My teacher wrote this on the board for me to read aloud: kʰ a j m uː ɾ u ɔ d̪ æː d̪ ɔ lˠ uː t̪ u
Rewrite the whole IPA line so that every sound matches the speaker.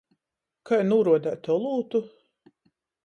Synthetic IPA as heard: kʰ a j n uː ɾ u ɔ d̪ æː t̪ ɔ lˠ uː t̪ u